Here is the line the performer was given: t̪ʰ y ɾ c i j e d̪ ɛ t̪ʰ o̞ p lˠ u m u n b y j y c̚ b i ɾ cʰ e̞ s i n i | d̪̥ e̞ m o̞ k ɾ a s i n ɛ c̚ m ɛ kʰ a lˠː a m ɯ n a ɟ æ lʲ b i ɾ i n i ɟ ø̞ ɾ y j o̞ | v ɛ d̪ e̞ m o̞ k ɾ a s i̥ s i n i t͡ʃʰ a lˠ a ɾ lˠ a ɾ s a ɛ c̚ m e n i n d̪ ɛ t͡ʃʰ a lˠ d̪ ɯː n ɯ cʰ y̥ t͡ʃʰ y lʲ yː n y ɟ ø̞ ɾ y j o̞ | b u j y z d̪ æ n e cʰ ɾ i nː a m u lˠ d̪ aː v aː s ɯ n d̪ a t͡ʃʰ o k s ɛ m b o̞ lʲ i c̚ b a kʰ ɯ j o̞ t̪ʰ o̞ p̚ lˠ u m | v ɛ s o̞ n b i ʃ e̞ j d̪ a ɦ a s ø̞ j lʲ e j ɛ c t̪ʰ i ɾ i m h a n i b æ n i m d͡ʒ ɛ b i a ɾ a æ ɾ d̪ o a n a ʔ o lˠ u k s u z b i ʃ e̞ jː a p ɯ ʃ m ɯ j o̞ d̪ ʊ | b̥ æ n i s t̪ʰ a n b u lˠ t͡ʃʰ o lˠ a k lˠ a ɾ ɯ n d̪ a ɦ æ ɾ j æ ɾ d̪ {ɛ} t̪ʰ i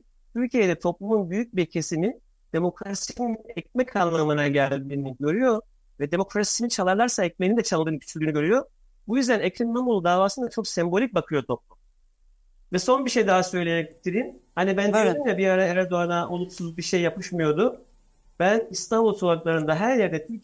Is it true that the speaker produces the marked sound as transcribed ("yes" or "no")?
yes